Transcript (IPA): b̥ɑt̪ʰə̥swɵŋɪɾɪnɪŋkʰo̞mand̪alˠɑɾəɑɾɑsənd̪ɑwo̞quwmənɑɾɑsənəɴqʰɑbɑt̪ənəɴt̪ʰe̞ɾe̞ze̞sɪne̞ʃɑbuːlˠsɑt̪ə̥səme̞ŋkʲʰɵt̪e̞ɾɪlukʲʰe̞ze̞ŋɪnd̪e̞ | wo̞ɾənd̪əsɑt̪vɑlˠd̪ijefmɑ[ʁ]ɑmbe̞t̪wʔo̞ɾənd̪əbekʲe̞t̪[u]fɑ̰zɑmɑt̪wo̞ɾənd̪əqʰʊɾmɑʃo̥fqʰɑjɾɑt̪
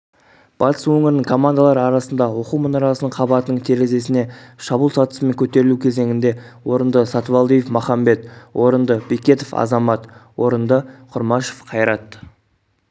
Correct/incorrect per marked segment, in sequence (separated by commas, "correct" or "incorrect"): incorrect, incorrect